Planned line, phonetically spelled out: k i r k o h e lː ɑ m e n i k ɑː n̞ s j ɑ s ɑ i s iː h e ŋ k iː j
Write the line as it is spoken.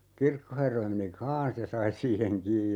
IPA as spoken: k i r k o h e rː ɑ m e n i k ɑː n̞ s j ɑ s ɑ i s iː h e ŋ k iː j

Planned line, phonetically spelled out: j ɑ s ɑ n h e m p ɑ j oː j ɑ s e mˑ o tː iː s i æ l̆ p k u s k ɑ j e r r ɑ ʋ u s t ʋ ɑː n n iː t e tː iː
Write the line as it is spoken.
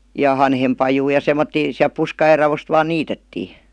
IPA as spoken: j ɑ h ɑ n h e m p ɑ j uː j ɑ s e mˑ o tː iː s i æ l̆ p p u s k ɑ j e r r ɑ ʋ o s t ʋ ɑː n n iː t e tː iː

